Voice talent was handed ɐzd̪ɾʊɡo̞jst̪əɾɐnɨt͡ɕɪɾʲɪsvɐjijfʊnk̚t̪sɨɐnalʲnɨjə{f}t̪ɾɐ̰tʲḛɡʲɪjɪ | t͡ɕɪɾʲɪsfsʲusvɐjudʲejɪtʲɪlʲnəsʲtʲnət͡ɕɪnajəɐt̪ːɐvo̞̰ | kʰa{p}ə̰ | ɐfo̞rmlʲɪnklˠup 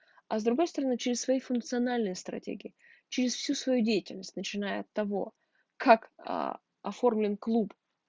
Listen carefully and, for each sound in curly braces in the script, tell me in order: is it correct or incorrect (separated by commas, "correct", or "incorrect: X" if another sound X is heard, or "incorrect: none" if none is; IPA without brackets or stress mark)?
incorrect: s, incorrect: k